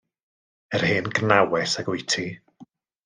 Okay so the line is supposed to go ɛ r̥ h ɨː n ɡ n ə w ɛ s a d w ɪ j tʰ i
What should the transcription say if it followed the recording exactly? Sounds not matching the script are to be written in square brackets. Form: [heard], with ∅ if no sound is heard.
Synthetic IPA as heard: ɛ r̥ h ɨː n ɡ n [a] w ɛ s a [ɡ] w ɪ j tʰ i